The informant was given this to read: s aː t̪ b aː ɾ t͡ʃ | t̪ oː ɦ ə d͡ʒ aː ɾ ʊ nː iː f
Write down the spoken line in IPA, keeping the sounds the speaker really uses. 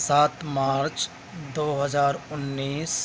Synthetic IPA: s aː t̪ m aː ɾ t͡ʃ | d̪ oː ɦ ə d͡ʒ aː ɾ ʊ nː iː s